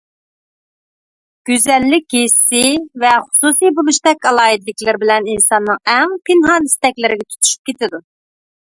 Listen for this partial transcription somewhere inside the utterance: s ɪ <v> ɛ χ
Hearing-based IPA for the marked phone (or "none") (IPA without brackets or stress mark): v